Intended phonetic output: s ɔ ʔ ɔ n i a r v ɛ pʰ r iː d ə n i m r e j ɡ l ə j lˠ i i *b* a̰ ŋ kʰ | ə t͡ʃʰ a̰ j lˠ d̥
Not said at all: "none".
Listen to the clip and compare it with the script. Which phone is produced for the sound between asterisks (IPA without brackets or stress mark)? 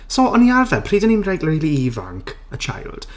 v